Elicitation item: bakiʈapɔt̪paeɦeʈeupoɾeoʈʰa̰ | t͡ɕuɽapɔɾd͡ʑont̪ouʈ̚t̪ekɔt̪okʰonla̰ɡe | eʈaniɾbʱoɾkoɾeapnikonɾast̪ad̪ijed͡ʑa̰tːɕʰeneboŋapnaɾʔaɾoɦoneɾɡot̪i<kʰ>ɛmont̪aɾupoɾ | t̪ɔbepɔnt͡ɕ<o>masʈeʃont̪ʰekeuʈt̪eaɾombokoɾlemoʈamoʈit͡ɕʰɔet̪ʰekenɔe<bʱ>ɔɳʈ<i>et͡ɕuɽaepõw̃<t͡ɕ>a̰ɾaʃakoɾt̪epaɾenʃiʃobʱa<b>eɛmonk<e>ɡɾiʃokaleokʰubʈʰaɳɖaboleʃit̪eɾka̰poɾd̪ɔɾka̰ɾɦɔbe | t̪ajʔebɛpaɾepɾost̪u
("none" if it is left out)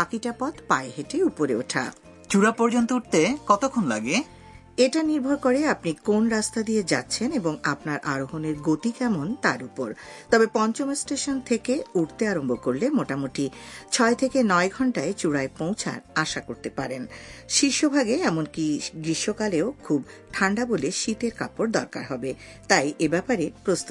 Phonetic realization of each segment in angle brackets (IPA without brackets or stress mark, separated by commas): k, o, ɡʱ, a, t͡ɕʰ, ɡ, i